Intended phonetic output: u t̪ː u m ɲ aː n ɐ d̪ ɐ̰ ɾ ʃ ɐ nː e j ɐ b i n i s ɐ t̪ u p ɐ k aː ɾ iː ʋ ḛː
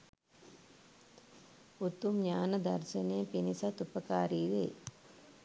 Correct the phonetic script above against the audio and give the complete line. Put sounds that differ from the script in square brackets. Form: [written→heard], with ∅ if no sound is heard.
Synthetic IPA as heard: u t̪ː u m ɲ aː n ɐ d̪ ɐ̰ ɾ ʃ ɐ [nː→n] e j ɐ [b→p] i n i s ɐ t̪ u p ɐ k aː ɾ iː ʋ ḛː